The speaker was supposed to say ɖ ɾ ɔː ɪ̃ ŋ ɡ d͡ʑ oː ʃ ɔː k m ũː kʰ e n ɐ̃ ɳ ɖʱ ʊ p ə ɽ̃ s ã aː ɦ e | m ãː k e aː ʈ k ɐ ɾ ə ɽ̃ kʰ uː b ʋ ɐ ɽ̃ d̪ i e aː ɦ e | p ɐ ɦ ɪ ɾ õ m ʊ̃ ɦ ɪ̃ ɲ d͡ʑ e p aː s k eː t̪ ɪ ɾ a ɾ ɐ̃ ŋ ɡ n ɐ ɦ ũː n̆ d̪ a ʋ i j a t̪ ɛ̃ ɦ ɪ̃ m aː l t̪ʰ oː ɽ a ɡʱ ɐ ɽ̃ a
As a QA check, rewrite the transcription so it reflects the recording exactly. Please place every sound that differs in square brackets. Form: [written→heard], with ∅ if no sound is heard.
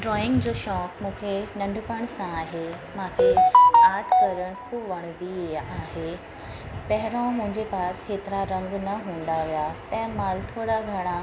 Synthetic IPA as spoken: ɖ ɾ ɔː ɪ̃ ŋ ɡ d͡ʑ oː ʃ ɔː k m ũː kʰ e n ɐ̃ ɳ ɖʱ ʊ p ə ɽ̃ s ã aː ɦ e | m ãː [k→kʰ] e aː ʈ k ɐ ɾ ə ɽ̃ kʰ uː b ʋ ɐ ɽ̃ d̪ i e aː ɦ e | p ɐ ɦ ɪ ɾ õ m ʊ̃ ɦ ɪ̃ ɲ d͡ʑ e p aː s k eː t̪ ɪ ɾ a ɾ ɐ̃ ŋ ɡ n ɐ ɦ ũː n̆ d̪ a ʋ i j a t̪ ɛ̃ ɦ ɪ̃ m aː l t̪ʰ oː ɽ a ɡʱ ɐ ɽ̃ a